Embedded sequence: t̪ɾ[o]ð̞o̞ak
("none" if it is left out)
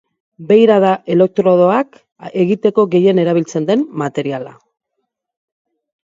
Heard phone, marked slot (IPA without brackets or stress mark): o